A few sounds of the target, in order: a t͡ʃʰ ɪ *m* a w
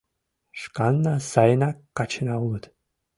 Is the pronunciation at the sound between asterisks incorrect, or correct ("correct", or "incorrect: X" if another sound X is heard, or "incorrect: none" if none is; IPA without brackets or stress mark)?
incorrect: n